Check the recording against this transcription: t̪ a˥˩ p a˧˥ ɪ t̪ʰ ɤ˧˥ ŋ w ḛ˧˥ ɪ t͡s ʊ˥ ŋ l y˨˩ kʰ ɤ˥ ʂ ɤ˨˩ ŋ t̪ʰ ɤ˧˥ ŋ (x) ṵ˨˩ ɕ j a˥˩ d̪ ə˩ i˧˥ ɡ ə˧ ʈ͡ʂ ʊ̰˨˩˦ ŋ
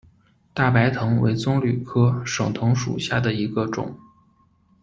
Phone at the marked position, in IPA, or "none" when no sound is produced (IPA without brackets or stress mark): ʂ